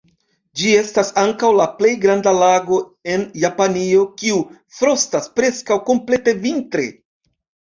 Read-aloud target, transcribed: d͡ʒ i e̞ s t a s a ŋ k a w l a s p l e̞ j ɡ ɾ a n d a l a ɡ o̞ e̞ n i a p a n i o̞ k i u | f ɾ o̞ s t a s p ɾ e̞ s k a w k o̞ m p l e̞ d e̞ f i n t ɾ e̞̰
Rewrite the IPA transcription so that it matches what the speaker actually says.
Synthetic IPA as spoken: d͡ʒ i e̞ s t a s a ŋ k a w l a p l e̞ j ɡ ɾ a n d a l a ɡ o̞ e̞ n j a p a n i o̞ k i u | f ɾ o̞ s t a s p ɾ e̞ s k a w k o̞ m p l e̞ t e̞ v i n t ɾ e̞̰